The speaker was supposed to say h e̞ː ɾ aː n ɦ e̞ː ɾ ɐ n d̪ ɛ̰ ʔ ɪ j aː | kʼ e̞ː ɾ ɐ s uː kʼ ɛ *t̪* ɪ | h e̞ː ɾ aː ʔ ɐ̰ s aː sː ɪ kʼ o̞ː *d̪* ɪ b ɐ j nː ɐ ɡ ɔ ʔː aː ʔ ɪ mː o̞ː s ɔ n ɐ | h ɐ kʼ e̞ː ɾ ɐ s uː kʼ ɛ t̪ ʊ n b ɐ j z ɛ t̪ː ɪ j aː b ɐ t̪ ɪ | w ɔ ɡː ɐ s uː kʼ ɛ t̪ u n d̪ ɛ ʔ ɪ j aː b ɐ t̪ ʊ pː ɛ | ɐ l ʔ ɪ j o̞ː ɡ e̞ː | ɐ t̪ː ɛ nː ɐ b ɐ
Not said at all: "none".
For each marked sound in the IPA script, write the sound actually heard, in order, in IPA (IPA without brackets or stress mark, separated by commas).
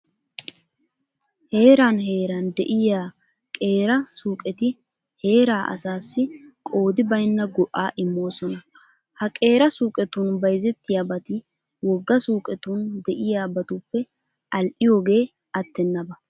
t̪, d̪